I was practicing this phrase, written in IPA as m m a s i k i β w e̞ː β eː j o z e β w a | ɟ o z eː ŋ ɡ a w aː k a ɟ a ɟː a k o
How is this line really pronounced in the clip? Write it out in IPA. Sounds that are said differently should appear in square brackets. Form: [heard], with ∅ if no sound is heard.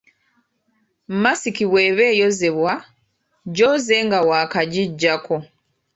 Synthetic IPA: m m a s i k i β w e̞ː β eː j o z e β w a | ɟ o z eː ŋ ɡ a w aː k a ɟ [i] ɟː a k o